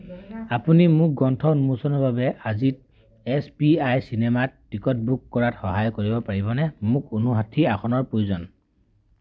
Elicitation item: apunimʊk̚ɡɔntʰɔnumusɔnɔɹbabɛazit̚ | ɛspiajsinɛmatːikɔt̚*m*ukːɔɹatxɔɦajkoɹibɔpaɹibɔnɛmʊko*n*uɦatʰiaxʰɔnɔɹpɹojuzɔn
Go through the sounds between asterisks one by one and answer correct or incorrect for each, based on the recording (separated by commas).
incorrect, correct